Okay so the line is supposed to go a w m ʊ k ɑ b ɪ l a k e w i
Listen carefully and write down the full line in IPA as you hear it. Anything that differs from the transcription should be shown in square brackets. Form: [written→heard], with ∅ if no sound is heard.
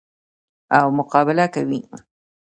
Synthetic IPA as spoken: a w m ʊ [k→q] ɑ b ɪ l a k [e→a] w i